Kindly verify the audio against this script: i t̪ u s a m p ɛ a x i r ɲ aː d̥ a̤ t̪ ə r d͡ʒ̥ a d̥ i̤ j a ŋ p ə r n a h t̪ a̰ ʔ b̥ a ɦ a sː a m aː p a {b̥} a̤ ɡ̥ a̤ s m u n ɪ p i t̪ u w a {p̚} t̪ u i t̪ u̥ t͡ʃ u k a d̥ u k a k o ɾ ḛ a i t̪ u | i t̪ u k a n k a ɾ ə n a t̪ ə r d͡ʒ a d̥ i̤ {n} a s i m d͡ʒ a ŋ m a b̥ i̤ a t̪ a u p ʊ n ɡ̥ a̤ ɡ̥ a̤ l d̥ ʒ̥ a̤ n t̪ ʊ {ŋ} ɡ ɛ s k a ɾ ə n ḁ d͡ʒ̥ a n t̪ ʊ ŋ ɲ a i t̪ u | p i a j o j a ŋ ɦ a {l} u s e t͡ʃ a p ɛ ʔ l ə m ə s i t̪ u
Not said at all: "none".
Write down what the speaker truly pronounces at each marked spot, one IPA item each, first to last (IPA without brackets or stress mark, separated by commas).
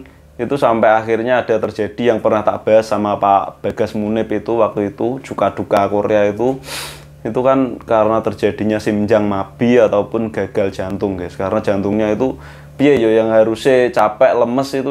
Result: b̥, k̚, ɲ, ŋ, ɾ